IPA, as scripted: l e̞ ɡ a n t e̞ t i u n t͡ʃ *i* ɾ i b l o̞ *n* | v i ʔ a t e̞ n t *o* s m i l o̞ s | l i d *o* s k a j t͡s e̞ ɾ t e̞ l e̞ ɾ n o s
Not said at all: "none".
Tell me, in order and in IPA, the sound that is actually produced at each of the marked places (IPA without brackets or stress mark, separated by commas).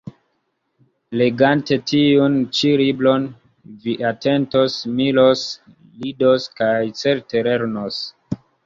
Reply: i, n, o, o